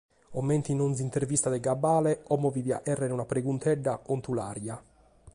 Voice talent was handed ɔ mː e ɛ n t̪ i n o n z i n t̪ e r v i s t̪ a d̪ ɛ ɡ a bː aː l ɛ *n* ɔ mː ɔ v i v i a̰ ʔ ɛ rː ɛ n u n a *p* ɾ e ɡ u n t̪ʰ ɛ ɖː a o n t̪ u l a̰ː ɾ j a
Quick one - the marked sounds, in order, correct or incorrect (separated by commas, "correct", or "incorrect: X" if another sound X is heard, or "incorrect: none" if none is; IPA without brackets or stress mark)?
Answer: incorrect: none, correct